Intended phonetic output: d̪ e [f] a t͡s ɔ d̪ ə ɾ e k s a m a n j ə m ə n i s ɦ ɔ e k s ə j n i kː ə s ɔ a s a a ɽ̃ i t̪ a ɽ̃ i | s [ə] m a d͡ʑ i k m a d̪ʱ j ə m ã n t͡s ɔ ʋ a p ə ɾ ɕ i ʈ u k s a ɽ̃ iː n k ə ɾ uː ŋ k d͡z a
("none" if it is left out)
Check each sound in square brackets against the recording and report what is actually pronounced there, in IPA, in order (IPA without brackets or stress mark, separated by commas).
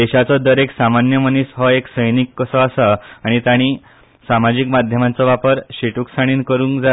ɕ, a